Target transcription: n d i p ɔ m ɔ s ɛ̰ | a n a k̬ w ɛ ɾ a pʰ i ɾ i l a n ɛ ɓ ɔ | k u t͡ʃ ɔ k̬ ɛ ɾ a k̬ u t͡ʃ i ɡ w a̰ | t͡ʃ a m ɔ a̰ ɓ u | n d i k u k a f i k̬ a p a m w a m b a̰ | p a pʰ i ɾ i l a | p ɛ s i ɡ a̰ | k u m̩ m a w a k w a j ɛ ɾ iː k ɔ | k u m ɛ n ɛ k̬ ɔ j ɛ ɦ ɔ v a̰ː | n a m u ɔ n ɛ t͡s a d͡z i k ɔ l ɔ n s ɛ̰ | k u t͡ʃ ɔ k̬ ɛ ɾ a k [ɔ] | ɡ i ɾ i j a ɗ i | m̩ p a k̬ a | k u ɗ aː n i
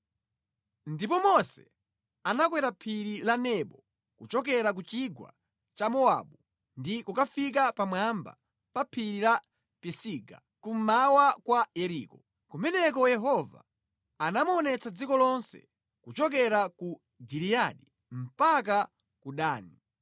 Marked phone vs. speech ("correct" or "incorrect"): incorrect